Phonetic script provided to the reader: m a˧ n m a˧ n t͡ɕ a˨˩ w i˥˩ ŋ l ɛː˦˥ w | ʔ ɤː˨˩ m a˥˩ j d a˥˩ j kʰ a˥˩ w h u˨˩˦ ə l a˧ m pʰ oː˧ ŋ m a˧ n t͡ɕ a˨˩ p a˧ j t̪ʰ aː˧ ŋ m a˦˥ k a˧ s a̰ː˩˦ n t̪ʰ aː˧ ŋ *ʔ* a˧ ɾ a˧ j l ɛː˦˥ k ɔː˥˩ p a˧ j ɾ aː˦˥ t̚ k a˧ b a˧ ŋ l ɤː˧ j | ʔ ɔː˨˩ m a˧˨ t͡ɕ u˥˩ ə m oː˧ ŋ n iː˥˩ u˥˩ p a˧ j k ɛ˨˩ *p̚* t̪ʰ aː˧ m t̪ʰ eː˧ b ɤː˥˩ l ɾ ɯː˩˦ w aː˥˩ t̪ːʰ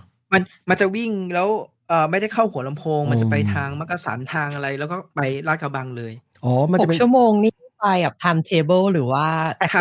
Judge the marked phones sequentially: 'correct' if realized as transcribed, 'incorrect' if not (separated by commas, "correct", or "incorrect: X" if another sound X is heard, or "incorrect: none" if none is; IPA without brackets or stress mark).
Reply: correct, correct